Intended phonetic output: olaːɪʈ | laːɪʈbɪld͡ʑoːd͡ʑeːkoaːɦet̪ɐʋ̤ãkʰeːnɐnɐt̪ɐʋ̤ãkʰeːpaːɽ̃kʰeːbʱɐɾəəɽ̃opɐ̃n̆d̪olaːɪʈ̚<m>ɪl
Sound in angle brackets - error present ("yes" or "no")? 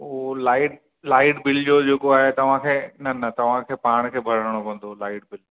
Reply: yes